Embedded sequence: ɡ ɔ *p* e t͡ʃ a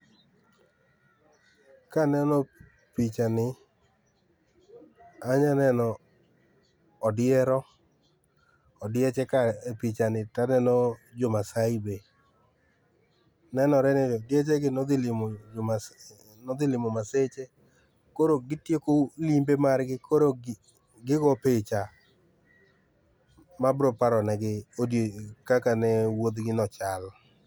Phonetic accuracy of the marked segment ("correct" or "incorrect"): correct